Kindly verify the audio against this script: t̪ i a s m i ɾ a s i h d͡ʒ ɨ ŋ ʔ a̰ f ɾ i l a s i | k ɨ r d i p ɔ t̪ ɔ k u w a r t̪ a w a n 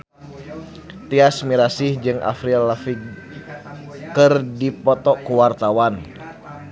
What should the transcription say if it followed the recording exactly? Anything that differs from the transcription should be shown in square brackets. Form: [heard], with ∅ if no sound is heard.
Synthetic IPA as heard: t̪ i a s m i ɾ a s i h d͡ʒ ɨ ŋ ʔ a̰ f ɾ i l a [f] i | k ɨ r d i p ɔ t̪ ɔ k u w a r t̪ a w a n